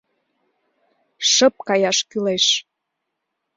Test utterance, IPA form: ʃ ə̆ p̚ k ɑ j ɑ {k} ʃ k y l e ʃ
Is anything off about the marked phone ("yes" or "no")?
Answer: yes